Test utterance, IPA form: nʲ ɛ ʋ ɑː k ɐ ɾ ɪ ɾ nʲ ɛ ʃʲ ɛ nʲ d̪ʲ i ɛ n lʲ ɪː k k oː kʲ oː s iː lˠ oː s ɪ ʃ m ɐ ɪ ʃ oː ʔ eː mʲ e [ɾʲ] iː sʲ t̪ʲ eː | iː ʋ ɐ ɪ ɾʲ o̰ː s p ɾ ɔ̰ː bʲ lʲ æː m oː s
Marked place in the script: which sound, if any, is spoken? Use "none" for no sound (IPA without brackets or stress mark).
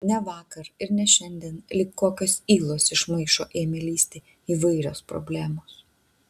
lʲ